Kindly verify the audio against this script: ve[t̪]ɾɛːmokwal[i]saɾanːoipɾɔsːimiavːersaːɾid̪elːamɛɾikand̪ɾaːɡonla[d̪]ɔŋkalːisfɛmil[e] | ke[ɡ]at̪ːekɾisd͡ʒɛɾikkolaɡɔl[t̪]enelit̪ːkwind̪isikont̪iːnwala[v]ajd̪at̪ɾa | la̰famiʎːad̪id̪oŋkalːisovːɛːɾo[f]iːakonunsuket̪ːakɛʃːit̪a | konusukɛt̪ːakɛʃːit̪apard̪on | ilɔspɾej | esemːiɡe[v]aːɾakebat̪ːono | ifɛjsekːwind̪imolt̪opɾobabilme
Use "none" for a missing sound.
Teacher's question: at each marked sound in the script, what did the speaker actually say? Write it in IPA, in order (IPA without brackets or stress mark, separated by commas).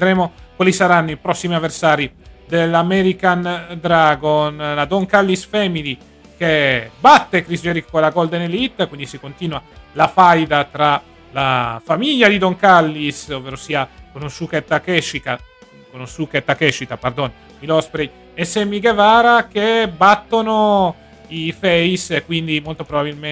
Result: d̪, i, d̪, i, b, d̪, f, s, v